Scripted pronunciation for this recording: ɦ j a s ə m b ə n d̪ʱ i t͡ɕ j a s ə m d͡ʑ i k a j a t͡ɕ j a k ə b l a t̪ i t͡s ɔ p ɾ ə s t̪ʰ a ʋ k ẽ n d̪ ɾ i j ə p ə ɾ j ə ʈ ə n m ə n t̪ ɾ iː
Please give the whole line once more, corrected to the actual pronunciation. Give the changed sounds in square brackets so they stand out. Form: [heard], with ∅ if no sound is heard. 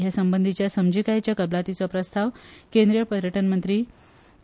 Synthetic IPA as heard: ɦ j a s ə m b ə n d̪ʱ i t͡ɕ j a s ə m d͡ʑ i k a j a t͡ɕ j a k ə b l a t̪ i t͡s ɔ p ɾ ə s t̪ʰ a ʋ k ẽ n d̪ ɾ i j ə p ə ɾ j ə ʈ ə n m ə n t̪ ɾ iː